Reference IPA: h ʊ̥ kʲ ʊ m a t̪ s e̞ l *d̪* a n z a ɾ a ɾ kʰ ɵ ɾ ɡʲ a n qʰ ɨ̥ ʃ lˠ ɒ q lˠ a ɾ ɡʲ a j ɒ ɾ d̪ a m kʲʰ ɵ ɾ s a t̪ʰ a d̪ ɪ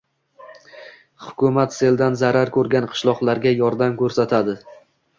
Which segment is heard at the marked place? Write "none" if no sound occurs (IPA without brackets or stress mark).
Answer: d̪